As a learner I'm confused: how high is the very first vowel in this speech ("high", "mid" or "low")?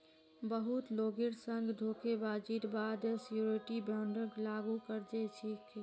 mid